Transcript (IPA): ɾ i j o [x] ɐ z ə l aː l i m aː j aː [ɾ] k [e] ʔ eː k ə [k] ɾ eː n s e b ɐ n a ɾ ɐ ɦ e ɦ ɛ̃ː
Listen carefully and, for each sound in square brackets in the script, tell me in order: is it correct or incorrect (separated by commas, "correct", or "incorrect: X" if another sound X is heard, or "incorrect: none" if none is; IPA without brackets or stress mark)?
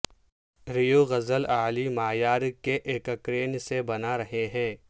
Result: incorrect: ɣ, correct, correct, correct